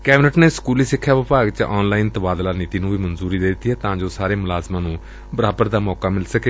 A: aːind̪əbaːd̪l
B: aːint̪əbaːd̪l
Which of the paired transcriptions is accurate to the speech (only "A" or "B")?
B